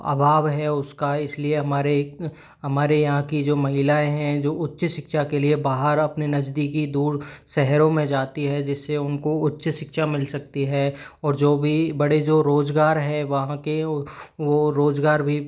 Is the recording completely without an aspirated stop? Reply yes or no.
yes